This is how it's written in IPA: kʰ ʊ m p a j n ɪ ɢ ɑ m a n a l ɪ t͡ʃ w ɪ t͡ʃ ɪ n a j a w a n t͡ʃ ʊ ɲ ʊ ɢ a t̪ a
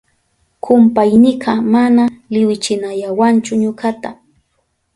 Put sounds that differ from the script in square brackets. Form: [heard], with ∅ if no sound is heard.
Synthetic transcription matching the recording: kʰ ʊ m p a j n ɪ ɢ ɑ m a n a l ɪ [∅] w ɪ t͡ʃ ɪ n a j a w a n t͡ʃ ʊ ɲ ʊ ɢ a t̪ a